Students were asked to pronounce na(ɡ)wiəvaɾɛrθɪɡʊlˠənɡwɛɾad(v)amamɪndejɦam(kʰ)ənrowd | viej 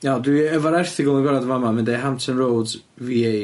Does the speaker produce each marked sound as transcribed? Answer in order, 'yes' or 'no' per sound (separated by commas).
no, yes, no